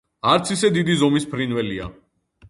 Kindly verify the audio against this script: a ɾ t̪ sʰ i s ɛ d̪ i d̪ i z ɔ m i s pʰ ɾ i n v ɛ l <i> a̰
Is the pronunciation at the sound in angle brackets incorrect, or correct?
correct